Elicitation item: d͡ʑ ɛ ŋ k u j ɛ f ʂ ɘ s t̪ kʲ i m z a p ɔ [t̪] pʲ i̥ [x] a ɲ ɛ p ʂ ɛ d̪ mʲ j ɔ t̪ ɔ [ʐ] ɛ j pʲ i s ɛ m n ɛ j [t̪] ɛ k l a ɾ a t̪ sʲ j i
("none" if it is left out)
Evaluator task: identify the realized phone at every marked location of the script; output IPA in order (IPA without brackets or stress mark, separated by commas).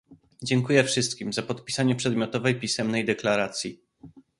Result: t̪, s, v, d̪